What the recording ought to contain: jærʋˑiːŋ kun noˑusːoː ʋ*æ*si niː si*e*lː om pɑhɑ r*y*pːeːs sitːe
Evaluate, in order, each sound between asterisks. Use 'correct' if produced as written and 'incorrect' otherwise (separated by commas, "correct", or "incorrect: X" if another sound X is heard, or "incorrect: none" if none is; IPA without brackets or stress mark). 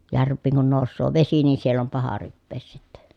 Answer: incorrect: e, correct, correct